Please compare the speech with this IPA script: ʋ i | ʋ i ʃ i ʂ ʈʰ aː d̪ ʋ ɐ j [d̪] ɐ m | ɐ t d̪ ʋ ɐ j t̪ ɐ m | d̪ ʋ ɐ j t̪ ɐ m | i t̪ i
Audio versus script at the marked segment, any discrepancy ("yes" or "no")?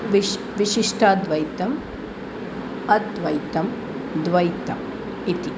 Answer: yes